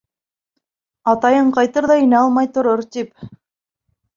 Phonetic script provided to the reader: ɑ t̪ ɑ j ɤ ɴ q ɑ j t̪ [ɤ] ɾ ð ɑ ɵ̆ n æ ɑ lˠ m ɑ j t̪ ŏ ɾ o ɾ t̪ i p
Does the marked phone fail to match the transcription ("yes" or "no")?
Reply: no